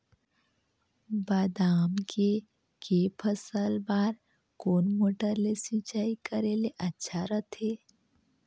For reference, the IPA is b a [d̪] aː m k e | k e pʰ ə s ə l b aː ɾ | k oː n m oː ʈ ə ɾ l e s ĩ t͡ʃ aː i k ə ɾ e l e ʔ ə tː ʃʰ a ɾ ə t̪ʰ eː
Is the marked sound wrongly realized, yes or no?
no